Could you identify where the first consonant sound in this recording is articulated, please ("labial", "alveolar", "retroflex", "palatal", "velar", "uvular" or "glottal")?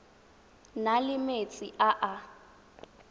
alveolar